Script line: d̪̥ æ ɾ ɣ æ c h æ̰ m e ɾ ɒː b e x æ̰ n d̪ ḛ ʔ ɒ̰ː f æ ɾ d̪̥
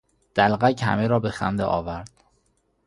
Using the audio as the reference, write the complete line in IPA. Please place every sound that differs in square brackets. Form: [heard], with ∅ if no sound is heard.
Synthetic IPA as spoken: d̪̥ æ [l] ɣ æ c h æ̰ m e ɾ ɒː b e x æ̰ n d̪ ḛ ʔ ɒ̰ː [v] æ ɾ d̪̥